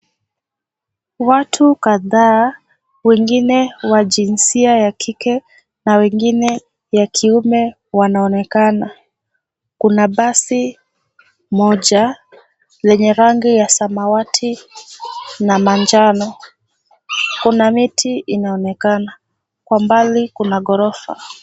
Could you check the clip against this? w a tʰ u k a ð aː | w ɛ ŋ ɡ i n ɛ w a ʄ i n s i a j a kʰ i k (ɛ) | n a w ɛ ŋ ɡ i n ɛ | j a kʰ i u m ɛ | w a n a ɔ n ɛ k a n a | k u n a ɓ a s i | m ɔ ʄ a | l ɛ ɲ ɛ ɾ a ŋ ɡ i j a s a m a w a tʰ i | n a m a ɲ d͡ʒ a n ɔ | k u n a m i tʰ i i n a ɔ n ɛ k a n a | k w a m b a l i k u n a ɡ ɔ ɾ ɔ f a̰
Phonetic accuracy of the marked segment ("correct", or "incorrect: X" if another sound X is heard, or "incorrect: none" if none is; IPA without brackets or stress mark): correct